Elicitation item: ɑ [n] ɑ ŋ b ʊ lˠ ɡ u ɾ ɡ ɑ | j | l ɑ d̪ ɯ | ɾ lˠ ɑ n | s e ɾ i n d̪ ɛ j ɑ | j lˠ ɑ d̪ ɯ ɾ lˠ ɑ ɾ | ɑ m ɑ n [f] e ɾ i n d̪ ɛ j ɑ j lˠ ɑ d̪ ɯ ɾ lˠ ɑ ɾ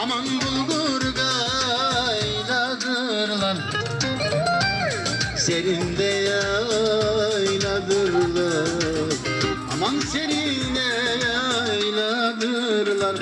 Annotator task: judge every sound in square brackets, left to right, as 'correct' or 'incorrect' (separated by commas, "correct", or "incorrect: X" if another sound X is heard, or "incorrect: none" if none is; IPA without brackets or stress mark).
incorrect: m, incorrect: s